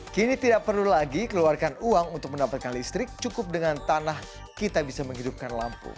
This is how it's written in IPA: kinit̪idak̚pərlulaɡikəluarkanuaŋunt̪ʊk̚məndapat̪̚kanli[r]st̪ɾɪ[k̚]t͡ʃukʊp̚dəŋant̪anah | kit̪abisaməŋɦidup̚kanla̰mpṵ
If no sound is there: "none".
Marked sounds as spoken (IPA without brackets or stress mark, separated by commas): none, k̚